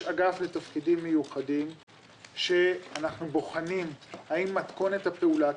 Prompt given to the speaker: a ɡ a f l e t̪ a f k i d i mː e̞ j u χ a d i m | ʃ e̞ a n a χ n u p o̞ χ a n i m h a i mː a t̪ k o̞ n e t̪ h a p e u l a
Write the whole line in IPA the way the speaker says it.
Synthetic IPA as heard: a ɡ a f l e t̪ a f k i d i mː e̞ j u χ a d i m | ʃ e̞ a n a χ n u b o̞ χ a n i m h a i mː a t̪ k o̞ n e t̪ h a p e u l a